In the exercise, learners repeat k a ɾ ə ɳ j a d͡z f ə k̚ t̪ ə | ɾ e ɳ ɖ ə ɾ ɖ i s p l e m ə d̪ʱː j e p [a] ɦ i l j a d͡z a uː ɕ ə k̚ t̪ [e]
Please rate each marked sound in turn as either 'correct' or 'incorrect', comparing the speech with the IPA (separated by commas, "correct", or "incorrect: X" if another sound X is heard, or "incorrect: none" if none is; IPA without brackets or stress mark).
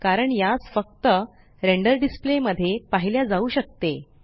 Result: correct, correct